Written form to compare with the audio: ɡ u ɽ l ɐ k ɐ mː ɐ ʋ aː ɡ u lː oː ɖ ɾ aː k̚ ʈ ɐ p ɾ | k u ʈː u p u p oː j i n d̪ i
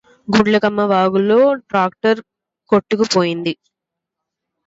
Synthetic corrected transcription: ɡ u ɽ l ɐ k ɐ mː ɐ ʋ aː ɡ u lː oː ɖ ɾ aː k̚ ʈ ɐ ɾ | k o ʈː u k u p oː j i n d̪ i